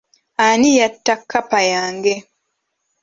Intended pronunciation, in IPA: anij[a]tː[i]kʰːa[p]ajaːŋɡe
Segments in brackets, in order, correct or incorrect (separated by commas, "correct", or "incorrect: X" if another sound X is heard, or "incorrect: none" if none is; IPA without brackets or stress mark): correct, incorrect: a, correct